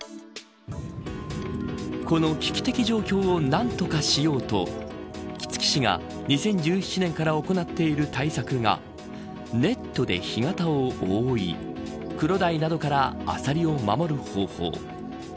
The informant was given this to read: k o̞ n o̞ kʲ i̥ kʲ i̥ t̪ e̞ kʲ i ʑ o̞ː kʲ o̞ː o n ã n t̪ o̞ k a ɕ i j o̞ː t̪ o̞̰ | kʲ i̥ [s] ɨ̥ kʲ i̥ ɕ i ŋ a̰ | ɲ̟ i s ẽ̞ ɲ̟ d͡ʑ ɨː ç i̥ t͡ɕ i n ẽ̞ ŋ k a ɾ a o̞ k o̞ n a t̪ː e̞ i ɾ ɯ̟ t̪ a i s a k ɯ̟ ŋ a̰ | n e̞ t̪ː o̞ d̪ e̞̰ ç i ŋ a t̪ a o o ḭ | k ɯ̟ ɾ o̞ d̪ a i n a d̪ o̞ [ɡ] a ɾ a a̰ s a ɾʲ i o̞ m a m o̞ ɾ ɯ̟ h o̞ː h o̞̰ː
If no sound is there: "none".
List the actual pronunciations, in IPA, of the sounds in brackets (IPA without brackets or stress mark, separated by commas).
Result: t͡s, k